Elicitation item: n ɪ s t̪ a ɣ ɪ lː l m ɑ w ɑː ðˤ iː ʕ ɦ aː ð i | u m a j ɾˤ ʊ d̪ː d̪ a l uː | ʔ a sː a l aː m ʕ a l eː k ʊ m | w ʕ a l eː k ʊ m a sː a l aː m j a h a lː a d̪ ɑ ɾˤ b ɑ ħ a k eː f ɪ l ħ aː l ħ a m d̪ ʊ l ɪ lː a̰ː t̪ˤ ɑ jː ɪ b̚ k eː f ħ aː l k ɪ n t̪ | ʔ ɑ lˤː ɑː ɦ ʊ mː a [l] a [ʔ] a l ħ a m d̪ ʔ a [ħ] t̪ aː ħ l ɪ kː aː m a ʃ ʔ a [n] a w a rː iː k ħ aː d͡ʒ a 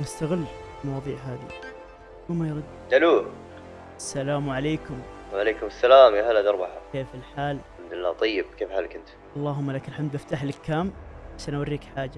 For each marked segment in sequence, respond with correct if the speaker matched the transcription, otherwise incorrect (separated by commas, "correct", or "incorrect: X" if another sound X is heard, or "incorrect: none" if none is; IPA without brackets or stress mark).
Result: correct, incorrect: k, incorrect: f, correct